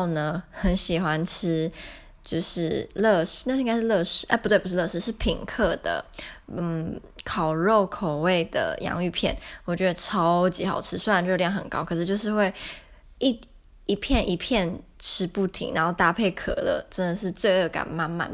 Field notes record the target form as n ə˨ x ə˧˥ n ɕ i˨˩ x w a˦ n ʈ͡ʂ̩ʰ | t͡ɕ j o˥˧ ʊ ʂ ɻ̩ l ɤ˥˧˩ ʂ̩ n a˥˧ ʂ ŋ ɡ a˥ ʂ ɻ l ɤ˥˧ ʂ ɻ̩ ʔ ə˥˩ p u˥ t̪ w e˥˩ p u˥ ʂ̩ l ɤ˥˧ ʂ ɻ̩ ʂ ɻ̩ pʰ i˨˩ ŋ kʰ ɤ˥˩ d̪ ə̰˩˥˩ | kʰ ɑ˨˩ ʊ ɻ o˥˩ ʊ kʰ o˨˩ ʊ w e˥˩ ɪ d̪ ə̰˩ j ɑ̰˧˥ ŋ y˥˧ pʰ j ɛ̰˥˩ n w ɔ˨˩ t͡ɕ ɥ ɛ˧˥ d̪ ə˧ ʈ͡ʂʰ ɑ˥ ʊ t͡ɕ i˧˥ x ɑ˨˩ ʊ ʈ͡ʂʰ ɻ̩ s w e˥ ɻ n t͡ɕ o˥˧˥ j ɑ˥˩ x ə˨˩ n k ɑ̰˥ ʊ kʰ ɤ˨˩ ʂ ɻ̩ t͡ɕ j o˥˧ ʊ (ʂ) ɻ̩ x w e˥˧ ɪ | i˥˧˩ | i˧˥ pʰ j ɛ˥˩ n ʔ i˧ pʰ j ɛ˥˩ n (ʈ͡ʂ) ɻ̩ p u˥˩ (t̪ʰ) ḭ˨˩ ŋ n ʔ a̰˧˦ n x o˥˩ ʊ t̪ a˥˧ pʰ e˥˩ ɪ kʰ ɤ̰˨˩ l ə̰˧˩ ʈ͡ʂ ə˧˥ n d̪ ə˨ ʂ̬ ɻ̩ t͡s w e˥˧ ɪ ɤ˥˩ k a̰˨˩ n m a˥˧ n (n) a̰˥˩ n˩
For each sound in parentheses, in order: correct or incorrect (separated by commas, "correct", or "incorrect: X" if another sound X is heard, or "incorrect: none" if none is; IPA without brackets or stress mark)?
correct, incorrect: ʈ͡ʂʰ, correct, incorrect: m